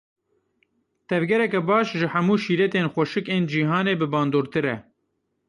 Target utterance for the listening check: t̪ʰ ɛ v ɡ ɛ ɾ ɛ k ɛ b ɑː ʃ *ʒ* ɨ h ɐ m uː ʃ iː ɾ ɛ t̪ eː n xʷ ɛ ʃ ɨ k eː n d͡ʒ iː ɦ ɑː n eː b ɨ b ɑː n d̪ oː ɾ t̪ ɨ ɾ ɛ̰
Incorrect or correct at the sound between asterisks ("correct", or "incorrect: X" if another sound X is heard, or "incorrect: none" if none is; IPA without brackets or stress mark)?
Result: correct